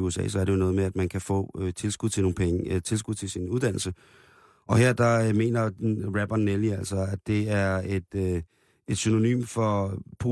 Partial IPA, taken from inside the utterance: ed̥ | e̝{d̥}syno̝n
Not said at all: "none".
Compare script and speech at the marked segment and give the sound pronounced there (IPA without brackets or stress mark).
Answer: d̥